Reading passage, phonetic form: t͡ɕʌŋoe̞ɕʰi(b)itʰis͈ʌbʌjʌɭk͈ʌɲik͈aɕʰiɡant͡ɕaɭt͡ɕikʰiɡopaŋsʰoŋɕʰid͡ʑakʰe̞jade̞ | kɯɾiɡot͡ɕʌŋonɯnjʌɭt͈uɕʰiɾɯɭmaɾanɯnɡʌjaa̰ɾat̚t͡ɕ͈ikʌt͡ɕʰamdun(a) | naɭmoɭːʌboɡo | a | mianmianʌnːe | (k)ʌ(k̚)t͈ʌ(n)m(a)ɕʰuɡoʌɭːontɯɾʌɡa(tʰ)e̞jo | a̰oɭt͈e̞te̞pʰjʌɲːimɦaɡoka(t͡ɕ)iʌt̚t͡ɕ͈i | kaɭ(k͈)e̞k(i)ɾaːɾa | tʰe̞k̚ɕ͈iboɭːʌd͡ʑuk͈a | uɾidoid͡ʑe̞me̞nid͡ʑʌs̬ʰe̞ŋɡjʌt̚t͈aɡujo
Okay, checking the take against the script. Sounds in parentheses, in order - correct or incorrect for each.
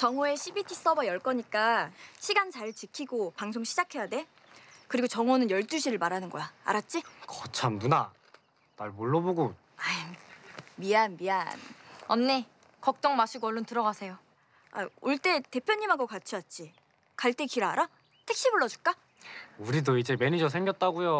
correct, correct, correct, correct, incorrect: ŋ, correct, incorrect: sʰ, incorrect: t͡ɕʰ, incorrect: t͈, correct

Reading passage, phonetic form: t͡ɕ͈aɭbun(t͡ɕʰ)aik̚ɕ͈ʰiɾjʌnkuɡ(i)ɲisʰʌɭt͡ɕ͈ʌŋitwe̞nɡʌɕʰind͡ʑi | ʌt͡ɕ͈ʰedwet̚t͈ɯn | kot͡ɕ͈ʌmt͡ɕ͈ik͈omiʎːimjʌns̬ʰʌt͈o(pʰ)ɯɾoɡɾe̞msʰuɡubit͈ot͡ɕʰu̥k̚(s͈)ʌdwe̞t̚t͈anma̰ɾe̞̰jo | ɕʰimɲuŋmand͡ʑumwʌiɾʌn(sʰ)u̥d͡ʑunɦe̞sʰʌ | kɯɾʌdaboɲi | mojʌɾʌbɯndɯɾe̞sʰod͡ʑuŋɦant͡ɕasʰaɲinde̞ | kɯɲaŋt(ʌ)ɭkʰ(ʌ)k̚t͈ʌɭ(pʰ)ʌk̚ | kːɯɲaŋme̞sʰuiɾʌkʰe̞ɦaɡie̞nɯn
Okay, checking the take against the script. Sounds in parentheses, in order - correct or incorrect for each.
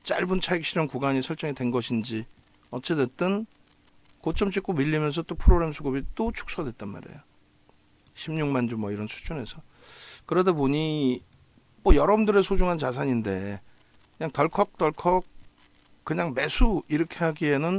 correct, incorrect: a, correct, correct, correct, correct, correct, incorrect: kʰ

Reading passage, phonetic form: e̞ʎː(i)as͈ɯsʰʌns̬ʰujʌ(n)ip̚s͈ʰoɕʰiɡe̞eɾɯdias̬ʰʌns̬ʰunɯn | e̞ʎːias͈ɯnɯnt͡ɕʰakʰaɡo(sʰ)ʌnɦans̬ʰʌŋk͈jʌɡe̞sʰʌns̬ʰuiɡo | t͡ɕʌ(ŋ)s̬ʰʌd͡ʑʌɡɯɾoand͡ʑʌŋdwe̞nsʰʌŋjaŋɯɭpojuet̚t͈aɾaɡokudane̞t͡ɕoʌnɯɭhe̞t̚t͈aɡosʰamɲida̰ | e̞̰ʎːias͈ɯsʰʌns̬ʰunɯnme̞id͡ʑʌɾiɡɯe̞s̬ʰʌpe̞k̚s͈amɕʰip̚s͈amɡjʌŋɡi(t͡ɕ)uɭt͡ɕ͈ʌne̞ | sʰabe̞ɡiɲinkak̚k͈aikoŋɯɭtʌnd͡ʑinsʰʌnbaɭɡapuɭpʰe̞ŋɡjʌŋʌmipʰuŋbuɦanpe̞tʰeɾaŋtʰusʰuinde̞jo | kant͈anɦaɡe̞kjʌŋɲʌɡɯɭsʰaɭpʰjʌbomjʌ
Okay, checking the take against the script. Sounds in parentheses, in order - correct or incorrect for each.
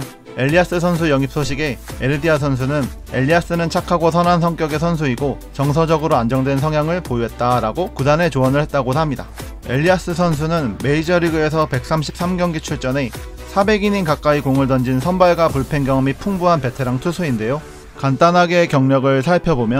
correct, incorrect: ŋ, correct, correct, incorrect: t͡ɕʰ

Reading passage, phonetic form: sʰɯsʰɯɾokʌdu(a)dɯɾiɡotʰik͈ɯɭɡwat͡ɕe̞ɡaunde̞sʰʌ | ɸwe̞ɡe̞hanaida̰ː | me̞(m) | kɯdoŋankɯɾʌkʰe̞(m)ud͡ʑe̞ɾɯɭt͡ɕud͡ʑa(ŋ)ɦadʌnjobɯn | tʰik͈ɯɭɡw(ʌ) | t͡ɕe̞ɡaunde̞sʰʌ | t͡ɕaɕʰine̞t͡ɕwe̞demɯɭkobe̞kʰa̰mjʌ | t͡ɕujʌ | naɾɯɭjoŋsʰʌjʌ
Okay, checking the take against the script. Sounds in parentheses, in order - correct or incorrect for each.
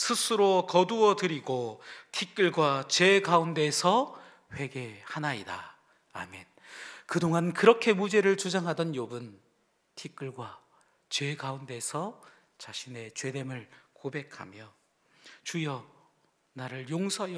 incorrect: ʌ, incorrect: n, correct, correct, incorrect: a

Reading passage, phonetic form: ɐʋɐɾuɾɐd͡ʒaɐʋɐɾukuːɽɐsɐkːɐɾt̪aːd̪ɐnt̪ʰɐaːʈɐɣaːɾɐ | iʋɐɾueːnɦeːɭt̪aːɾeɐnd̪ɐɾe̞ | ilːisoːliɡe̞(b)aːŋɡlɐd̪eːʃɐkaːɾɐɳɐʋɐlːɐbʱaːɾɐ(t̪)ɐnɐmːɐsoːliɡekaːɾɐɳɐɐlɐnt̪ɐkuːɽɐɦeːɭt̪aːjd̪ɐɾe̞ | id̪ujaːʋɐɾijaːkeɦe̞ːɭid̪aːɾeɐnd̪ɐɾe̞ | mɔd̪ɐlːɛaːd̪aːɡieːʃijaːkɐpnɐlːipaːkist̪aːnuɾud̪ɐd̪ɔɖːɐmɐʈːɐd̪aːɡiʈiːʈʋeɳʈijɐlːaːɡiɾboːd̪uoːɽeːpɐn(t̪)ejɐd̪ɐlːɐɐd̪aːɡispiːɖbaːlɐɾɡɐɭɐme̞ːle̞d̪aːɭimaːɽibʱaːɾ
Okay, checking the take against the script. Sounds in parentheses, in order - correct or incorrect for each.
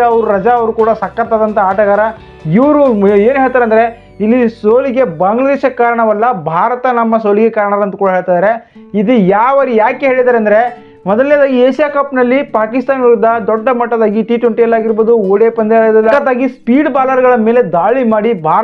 correct, correct, incorrect: d̪

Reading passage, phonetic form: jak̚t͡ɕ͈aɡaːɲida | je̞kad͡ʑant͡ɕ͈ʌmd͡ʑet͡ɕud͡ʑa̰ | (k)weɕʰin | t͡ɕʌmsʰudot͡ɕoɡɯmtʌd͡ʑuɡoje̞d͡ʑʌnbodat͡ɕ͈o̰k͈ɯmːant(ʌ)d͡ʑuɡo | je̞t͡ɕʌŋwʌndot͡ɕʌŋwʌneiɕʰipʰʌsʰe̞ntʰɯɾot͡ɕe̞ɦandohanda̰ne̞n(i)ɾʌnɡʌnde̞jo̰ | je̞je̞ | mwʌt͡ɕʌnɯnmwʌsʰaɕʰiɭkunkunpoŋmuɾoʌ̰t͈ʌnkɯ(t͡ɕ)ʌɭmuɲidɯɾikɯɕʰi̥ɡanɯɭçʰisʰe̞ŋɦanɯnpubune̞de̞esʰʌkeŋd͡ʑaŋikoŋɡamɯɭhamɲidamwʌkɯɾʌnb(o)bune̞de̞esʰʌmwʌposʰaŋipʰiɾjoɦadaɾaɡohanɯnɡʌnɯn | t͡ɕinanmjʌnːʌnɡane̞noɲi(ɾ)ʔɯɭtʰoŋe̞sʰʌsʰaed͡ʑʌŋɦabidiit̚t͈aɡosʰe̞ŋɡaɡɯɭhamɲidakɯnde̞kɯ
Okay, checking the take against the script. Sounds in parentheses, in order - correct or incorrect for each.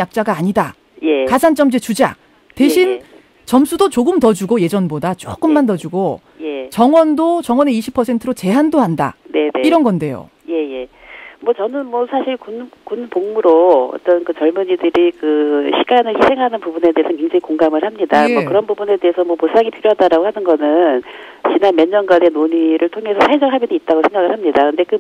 incorrect: t, correct, correct, correct, incorrect: u, correct

